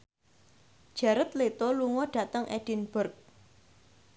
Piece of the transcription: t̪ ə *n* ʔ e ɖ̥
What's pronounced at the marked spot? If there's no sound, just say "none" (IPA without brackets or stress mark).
ŋ